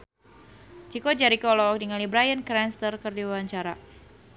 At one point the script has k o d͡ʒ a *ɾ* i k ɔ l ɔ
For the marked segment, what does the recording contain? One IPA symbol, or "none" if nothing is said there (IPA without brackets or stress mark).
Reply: ɾ